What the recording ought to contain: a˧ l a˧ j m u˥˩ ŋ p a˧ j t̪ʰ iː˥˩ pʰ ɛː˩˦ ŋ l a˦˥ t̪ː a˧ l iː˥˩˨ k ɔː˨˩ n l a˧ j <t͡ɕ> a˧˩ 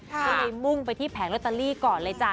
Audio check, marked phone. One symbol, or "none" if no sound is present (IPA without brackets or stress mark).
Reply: t͡ɕ